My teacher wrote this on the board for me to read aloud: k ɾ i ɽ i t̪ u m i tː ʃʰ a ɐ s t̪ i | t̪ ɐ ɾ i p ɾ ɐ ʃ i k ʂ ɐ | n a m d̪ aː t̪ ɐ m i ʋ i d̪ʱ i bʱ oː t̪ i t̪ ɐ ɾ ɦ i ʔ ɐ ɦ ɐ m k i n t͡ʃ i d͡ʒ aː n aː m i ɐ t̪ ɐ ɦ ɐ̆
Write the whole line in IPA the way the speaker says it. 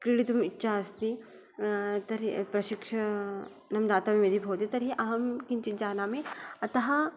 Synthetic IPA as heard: k ɾ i ɽ i t̪ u m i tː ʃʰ a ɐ s t̪ i | t̪ ɐ ɾ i p ɾ ɐ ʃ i k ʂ ɐ | n ɐ m d̪ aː t̪ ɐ m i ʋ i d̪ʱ i bʱ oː t̪ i t̪ ɐ ɾ ɦ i ʔ ɐ ɦ ɐ m k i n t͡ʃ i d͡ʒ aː n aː m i ɐ t̪ ɐ ɦ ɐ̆